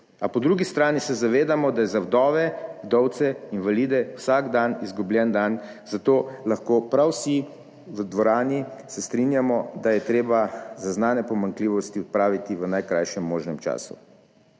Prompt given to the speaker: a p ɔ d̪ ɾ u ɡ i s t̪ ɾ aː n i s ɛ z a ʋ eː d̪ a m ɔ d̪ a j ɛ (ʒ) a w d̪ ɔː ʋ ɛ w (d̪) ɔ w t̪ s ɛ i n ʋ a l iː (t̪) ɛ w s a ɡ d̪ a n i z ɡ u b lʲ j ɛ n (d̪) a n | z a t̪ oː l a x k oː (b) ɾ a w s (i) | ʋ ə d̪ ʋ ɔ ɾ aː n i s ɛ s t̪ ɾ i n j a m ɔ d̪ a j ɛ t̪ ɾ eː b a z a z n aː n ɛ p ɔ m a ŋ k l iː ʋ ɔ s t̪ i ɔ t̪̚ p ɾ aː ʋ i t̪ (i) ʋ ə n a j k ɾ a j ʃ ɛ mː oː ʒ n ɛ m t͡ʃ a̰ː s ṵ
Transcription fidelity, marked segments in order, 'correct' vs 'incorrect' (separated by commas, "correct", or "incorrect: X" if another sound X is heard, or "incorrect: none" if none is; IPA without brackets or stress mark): incorrect: z, correct, incorrect: d̪, correct, incorrect: p, correct, correct